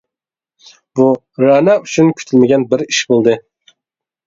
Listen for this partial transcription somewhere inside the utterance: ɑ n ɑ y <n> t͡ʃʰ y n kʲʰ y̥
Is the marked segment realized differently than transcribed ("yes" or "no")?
yes